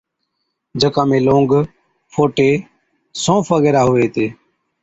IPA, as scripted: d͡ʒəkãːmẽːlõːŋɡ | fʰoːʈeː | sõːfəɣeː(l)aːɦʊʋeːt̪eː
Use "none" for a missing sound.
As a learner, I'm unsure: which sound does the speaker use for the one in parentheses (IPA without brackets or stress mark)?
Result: ɾ